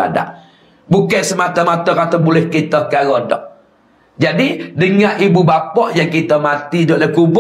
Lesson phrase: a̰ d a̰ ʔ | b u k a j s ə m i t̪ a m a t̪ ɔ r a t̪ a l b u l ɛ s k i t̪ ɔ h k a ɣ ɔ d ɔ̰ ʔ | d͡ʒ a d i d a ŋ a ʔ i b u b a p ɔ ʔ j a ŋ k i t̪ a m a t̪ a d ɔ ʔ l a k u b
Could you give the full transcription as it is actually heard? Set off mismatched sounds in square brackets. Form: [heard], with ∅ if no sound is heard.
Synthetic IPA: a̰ d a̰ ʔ | b u k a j s ə m [a] t̪ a m a t̪ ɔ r a t̪ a [∅] b u l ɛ [h] k i t̪ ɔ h k a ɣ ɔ d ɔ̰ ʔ | d͡ʒ a d i d [ə] ŋ a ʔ i b u b a p ɔ ʔ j a ŋ k i t̪ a m a t̪ [i] d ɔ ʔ l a k u b